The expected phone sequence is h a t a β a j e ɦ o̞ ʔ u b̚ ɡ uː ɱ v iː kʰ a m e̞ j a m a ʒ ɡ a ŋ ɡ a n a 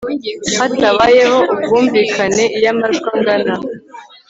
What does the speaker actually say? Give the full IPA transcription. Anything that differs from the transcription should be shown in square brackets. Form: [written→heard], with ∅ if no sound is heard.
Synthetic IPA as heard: h a t a β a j e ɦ o̞ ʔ u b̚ ɡ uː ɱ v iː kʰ a [m→n] e̞ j a m a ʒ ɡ a ŋ ɡ a n a

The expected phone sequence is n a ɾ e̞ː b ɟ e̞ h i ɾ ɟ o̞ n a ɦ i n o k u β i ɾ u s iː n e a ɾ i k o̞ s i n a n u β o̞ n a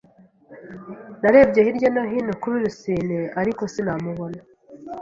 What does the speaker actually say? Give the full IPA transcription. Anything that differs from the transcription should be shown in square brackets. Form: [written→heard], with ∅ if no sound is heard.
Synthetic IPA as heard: n a ɾ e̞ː b ɟ e̞ h i ɾ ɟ o̞ n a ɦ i n o k u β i ɾ u s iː n e a ɾ i k o̞ s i n a [n→m] u β o̞ n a

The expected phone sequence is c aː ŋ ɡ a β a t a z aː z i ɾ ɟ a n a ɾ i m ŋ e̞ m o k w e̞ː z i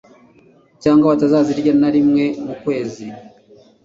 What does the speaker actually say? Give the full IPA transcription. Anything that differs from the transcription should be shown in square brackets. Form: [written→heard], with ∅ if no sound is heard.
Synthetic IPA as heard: c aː ŋ ɡ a β a t a z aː z i ɾ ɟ a n a ɾ i m ŋ e̞ m [o→u] k w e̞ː z i

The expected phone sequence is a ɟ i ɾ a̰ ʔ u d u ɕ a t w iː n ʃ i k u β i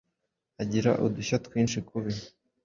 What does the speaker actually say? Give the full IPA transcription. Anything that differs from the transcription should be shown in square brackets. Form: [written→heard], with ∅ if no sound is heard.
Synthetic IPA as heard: a ɟ i ɾ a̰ ʔ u d u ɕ a t w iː n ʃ i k u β i

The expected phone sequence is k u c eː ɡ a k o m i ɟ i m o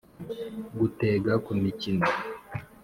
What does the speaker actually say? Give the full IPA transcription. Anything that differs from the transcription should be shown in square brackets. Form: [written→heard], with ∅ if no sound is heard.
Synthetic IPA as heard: [k→ɡ] u [c→t] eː ɡ a k [o→u] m i [ɟ→c] i [m→n] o

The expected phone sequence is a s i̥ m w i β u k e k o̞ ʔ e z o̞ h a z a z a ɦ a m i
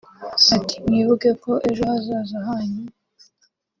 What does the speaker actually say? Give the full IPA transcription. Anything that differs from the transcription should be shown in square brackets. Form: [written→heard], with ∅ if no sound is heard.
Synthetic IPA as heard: a [s→t] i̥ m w i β u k e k o̞ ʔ e [z→ʒ] o̞ h a z a z a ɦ a [m→ɲ] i

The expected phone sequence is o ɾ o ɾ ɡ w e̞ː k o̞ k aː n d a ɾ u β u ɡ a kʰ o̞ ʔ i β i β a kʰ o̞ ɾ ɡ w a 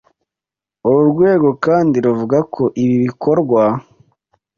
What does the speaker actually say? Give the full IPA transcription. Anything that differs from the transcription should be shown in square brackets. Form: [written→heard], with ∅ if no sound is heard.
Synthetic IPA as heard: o ɾ [o→u] ɾ ɡ w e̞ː [k→ɡ] o̞ k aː n d [a→i] ɾ u [β→v] u ɡ a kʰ o̞ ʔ i β i β [a→i] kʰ o̞ ɾ ɡ w a

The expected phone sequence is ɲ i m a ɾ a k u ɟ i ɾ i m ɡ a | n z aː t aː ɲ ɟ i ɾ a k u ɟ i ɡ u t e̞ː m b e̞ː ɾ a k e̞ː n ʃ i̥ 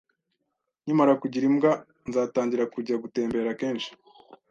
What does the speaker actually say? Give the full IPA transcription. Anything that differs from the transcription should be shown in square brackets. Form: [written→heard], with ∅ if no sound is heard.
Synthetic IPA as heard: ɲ i m a ɾ a k u ɟ i ɾ i m ɡ a | n z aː t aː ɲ ɟ i ɾ a k u ɟ [i→a] ɡ u t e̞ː m b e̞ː ɾ a k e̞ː n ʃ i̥

